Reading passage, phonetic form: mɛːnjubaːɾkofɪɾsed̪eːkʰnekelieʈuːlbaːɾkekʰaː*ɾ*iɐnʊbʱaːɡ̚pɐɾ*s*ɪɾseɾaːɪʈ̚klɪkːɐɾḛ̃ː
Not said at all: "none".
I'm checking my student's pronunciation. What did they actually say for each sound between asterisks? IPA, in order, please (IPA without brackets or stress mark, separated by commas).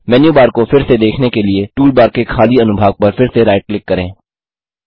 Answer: l, f